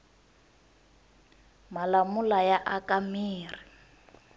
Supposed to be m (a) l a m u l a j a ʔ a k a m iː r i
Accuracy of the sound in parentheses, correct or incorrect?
correct